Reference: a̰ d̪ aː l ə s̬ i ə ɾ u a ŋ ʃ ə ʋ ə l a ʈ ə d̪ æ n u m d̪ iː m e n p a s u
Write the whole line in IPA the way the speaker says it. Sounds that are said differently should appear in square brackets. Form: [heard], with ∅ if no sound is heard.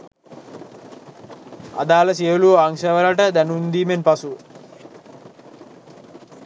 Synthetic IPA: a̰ d̪ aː l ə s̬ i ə [l] u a ŋ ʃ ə ʋ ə l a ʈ ə d̪ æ n u [n] d̪ iː m e n p a s u